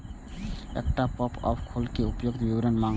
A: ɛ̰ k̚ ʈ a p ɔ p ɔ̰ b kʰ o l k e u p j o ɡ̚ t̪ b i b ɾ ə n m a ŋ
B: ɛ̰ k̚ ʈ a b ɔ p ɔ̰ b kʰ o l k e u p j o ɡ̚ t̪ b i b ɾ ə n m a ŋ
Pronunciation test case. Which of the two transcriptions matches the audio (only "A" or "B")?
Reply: A